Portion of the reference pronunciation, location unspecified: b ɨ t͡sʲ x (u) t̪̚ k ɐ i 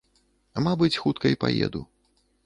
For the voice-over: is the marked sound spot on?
yes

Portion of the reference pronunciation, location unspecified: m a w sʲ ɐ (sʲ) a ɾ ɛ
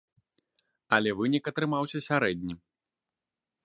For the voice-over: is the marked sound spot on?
yes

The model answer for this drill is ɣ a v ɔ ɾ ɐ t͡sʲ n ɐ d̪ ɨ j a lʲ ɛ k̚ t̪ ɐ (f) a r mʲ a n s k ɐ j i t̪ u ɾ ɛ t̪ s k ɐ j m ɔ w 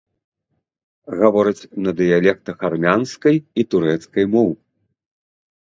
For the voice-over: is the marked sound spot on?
no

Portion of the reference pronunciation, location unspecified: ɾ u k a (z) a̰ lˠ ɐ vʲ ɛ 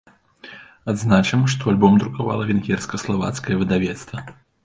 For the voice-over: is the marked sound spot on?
no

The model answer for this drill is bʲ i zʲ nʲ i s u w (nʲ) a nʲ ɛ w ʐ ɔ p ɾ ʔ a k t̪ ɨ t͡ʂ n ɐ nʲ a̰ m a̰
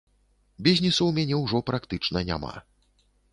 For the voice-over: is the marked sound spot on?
no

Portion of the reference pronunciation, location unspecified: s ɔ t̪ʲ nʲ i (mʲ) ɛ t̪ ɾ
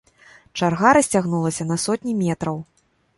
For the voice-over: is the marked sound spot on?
yes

